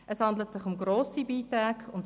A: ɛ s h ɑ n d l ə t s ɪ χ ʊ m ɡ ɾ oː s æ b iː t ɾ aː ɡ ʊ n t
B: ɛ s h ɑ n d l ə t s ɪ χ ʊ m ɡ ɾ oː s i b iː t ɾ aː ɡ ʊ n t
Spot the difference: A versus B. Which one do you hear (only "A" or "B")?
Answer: B